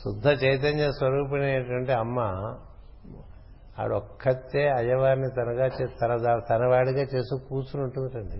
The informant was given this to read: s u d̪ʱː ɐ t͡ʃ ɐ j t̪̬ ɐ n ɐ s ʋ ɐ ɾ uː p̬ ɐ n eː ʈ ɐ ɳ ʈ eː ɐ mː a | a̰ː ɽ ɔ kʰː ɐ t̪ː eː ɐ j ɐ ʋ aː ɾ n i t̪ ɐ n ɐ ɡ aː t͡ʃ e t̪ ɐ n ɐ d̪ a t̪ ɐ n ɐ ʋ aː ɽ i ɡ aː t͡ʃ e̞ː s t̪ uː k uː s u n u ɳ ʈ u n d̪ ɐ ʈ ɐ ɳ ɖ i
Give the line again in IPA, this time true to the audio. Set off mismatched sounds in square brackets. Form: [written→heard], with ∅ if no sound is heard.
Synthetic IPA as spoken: s u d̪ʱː ɐ t͡ʃ ɐ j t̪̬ ɐ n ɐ s ʋ ɐ ɾ uː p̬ ɐ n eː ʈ ɐ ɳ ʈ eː ɐ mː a | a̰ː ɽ ɔ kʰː ɐ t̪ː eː ɐ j ɐ ʋ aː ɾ n i t̪ ɐ n ɐ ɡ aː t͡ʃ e t̪ ɐ n ɐ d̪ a t̪ ɐ n ɐ ʋ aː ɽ i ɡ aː t͡ʃ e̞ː s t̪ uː k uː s u n u ɳ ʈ u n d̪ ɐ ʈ ɐ ɳ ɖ i